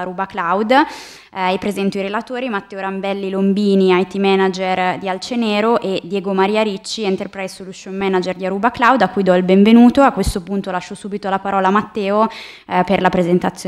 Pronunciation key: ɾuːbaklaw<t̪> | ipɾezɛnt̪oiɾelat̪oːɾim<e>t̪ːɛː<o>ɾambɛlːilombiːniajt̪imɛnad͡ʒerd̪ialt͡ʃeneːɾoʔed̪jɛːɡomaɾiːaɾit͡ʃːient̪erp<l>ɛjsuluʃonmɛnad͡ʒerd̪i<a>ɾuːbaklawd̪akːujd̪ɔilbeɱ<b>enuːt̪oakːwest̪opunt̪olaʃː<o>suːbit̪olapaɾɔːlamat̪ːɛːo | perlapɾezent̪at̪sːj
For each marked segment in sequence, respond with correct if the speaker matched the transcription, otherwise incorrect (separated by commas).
incorrect, incorrect, correct, incorrect, correct, incorrect, correct